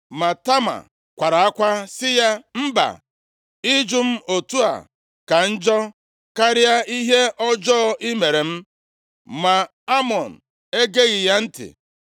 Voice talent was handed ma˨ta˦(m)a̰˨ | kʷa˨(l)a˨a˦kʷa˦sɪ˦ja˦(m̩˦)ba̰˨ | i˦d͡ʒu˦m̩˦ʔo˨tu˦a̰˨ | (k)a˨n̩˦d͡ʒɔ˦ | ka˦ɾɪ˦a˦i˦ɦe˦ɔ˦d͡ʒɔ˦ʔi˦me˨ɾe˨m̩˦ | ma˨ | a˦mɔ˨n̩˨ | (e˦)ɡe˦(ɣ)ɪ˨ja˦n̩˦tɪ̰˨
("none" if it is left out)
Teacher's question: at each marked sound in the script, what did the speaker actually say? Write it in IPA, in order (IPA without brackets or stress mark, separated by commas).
m, ɾ, m̩˦, k, e˦, ɣ